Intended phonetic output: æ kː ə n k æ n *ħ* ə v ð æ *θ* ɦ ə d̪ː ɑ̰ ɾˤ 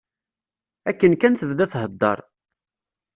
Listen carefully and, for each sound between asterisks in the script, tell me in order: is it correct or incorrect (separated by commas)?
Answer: incorrect, correct